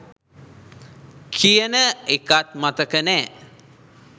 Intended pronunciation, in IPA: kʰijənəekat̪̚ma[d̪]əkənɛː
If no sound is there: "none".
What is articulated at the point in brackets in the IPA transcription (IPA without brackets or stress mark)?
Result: t̪